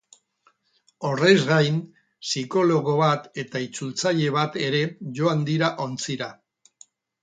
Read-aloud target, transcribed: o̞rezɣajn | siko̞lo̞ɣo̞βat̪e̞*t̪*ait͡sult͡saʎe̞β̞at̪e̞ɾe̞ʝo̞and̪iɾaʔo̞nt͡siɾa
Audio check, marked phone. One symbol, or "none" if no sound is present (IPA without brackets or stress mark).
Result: t̪